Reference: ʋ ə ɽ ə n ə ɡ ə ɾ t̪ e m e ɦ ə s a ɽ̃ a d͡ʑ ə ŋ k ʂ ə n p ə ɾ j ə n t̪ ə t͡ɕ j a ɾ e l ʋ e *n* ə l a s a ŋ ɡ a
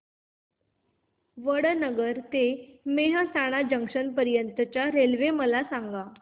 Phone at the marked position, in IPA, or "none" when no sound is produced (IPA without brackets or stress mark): m